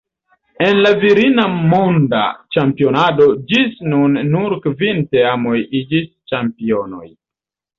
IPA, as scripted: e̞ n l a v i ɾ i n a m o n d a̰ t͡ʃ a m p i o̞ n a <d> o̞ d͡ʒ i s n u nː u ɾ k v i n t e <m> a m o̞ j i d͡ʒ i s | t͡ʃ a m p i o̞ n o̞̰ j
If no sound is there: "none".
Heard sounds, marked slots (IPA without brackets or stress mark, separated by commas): d, none